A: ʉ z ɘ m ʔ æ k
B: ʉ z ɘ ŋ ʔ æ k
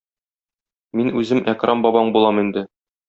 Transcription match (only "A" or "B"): A